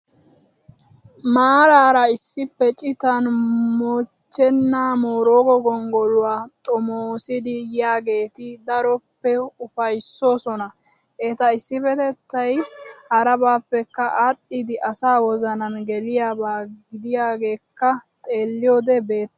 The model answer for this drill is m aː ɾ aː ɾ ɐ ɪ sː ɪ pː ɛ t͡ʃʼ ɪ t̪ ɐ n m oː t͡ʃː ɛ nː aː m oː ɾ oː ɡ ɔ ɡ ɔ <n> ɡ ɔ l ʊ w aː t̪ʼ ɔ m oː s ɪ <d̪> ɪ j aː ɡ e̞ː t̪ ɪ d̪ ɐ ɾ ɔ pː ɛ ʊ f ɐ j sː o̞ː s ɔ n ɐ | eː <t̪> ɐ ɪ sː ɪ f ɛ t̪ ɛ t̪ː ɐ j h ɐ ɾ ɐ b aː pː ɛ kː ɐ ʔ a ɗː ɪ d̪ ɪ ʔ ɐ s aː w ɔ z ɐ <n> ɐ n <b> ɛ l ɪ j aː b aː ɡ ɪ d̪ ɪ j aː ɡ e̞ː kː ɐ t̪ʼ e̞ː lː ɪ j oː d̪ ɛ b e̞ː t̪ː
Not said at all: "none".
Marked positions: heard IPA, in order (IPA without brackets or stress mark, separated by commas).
ŋ, d̪, t̪, n, ɡ